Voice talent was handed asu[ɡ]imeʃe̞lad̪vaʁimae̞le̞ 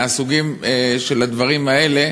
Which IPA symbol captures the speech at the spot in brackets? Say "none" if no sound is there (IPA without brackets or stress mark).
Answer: ɡ